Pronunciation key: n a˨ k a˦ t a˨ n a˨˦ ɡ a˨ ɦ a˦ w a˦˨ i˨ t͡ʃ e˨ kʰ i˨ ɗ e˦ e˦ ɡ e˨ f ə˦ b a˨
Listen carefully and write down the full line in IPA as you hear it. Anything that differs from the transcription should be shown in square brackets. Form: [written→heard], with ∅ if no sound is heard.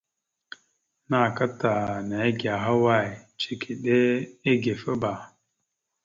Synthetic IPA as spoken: n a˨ k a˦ t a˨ n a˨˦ ɡ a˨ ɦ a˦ w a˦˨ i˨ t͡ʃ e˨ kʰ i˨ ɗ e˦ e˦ ɡ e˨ f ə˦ b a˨